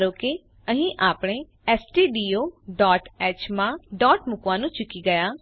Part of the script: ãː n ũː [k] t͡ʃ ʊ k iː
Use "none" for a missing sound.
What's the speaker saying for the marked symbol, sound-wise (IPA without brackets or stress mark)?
none